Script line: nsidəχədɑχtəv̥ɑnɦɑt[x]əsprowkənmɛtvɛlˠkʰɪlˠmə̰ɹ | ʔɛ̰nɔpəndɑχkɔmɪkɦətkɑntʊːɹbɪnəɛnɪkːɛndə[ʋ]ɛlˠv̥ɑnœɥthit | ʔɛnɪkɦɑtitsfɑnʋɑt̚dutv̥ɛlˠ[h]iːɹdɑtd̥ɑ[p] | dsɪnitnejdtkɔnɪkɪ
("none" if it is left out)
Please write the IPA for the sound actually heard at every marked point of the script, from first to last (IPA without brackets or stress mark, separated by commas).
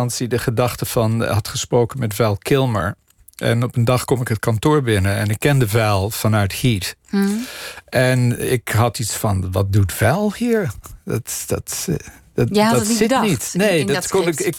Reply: χ, v, h, t